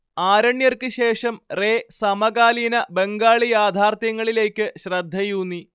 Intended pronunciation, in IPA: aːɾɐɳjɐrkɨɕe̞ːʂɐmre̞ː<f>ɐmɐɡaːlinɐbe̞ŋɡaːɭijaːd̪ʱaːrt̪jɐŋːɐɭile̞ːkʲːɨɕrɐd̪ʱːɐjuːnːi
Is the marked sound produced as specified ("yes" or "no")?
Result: no